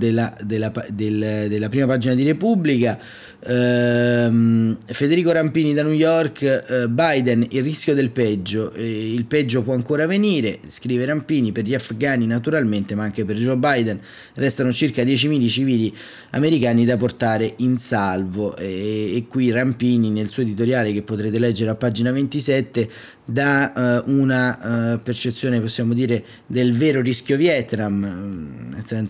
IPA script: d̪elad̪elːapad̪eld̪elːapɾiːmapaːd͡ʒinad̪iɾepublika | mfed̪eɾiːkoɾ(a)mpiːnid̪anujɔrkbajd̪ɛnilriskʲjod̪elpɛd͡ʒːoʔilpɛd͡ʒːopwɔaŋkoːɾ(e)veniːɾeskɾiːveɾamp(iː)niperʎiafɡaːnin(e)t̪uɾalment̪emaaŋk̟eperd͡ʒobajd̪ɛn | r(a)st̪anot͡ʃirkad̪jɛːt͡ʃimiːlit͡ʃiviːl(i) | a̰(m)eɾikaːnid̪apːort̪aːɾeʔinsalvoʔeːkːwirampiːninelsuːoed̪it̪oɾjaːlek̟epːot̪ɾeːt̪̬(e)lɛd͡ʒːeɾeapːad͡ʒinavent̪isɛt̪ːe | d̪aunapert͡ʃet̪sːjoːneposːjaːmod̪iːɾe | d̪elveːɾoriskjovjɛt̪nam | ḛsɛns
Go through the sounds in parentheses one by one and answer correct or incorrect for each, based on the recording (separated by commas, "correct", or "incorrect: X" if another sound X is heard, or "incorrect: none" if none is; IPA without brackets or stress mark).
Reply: correct, incorrect: a, correct, incorrect: a, incorrect: ɛ, correct, correct, correct